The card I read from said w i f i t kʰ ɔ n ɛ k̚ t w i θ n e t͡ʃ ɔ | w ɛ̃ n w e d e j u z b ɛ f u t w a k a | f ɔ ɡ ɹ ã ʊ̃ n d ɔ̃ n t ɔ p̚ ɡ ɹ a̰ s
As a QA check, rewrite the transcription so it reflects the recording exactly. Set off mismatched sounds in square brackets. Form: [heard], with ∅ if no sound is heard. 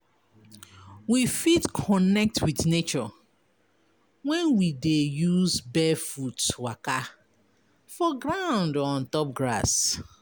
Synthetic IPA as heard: w i f i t kʰ ɔ n ɛ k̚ t w i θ n e t͡ʃ ɔ | w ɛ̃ n w [i] d e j u z b ɛ f u t w a k a | f ɔ ɡ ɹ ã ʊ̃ n d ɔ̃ n t ɔ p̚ ɡ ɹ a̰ s